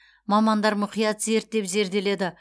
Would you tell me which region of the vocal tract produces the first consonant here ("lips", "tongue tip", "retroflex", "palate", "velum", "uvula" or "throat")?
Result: lips